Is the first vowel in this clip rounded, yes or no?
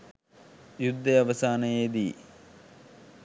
yes